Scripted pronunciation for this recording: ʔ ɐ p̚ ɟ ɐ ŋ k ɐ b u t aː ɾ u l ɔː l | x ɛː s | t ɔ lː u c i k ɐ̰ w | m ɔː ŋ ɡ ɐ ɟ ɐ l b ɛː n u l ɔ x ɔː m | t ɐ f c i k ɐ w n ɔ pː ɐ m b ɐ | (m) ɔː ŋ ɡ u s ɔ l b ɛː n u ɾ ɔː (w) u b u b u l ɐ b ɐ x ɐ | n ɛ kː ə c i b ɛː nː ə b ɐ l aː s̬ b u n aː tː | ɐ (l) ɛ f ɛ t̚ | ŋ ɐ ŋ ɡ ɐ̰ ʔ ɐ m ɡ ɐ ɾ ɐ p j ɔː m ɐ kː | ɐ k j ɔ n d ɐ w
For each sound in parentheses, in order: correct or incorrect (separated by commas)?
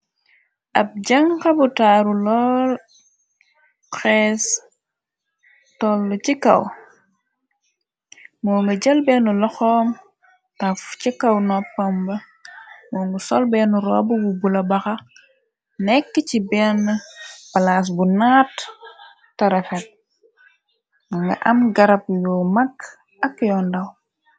correct, incorrect, incorrect